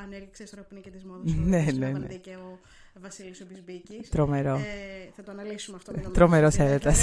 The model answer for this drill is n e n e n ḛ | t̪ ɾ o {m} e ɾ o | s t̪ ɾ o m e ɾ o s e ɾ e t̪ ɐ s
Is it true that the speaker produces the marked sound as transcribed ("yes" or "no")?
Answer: yes